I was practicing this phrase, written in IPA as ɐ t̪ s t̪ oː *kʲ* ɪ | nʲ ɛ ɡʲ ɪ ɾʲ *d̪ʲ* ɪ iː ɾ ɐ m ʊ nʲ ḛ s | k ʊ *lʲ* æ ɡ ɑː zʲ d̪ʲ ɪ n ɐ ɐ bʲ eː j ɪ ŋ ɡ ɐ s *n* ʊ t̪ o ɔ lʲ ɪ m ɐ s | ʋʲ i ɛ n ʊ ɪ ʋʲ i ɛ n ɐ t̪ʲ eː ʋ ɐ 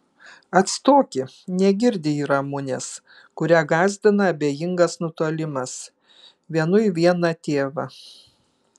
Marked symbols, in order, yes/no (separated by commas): yes, yes, no, yes